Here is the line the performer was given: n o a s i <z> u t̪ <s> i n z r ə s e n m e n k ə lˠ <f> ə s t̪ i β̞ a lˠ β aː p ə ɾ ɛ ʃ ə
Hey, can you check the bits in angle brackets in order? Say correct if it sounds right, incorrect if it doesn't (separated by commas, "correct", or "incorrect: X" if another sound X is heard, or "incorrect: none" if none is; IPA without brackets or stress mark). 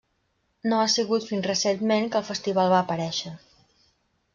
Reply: incorrect: ɣ, incorrect: f, correct